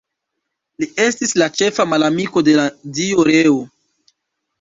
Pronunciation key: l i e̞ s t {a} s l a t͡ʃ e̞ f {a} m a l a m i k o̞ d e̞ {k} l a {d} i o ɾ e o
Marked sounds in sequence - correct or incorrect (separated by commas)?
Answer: incorrect, correct, incorrect, correct